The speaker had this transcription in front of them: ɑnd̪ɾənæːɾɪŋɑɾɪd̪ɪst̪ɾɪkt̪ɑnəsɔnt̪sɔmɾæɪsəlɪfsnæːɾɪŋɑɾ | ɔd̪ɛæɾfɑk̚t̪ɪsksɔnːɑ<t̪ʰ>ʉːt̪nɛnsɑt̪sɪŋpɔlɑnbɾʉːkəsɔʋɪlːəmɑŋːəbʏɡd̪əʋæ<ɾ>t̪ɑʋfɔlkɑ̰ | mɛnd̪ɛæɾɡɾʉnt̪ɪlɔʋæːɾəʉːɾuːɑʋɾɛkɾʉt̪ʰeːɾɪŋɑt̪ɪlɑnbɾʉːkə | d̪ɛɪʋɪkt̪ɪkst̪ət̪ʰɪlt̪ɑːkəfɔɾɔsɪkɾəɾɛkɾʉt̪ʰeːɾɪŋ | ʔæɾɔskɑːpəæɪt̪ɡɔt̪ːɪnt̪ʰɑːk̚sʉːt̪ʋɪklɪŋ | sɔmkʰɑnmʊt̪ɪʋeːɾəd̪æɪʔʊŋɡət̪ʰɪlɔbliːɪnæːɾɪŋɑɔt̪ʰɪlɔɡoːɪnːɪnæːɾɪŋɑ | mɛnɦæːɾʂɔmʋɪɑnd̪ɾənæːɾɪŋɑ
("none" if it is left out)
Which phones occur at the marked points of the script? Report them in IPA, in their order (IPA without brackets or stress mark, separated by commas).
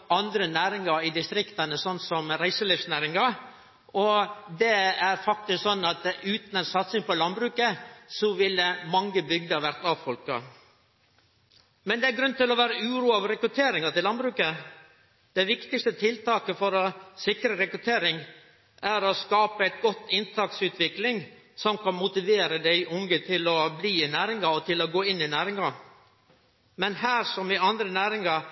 t̪, ɾ